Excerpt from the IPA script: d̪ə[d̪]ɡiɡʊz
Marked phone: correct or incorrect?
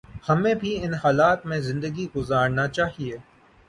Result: incorrect: none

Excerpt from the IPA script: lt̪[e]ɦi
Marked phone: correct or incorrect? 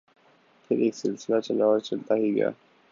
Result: incorrect: a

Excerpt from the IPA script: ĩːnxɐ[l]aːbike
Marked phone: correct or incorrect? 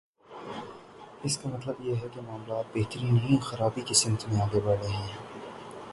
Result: incorrect: ɾ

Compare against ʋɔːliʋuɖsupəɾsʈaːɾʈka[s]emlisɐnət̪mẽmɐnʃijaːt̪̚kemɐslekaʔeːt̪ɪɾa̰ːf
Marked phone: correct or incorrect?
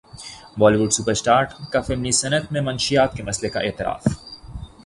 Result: incorrect: f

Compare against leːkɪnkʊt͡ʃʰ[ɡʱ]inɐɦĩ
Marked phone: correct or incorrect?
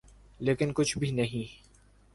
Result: incorrect: bʱ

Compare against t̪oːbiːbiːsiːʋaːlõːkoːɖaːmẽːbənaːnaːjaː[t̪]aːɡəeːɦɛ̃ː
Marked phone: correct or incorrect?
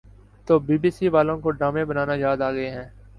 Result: incorrect: d̪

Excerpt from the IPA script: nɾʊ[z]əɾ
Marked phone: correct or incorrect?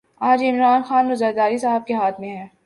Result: correct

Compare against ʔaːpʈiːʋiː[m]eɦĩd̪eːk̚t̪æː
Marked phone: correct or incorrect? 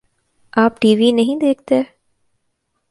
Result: incorrect: n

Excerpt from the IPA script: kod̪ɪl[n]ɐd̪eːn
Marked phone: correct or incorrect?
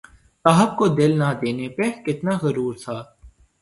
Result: correct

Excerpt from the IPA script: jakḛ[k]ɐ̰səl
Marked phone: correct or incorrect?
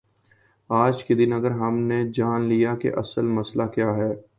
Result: incorrect: ʔ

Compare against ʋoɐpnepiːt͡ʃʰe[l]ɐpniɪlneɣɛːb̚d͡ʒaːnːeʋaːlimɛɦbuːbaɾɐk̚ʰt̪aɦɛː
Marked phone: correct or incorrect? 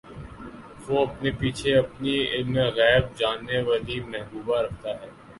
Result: incorrect: none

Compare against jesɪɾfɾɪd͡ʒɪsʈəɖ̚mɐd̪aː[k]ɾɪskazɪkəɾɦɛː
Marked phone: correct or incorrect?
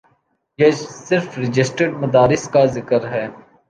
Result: incorrect: none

